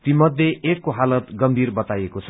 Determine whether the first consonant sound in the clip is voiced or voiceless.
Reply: voiceless